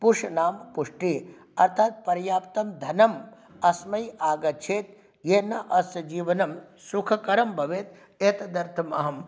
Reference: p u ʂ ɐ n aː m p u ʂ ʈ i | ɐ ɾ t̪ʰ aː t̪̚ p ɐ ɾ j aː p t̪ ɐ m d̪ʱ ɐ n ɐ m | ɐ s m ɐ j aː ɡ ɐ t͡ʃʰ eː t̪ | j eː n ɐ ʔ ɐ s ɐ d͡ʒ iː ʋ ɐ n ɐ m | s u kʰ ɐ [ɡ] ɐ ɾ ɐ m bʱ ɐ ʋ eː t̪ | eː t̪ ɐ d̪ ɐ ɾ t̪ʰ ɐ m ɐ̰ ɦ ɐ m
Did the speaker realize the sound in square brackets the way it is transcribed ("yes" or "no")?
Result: no